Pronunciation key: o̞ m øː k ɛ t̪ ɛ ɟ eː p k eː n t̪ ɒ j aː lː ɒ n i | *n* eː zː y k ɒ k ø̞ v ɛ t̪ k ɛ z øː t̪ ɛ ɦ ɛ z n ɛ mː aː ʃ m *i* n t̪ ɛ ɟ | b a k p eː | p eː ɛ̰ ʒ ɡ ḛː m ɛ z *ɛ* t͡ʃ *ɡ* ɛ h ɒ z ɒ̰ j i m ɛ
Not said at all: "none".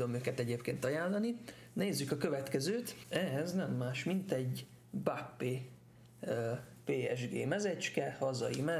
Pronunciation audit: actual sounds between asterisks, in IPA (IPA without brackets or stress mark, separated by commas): n, i, ɛ, k